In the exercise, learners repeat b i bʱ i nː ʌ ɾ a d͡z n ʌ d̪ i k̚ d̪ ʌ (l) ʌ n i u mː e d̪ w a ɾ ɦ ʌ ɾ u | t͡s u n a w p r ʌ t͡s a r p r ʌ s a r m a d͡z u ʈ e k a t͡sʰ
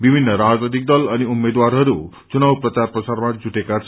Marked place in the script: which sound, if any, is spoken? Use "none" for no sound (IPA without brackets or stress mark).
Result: l